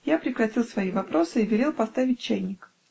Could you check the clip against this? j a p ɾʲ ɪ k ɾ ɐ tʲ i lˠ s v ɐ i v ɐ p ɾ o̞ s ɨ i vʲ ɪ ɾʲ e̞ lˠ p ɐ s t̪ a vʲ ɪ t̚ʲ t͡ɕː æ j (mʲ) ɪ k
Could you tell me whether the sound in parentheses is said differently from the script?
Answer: yes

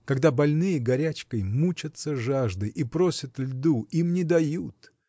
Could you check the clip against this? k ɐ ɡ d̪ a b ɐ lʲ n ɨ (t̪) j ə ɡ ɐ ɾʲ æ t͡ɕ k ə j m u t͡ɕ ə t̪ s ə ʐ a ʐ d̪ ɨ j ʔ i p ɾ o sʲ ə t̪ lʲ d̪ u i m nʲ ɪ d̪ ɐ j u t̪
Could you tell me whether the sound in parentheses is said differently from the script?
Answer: yes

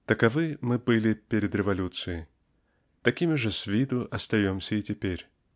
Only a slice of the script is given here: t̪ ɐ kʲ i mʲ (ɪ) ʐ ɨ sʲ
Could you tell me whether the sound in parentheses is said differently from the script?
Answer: no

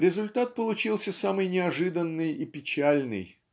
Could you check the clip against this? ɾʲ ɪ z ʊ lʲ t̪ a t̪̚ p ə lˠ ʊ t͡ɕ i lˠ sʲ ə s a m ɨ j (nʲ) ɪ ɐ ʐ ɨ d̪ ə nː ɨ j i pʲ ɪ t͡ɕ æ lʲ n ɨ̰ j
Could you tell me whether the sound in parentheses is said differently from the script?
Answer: no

